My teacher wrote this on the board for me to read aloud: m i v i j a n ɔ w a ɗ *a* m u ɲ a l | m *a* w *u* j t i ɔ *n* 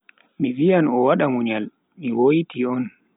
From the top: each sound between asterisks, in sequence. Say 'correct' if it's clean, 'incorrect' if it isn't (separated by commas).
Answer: correct, incorrect, incorrect, correct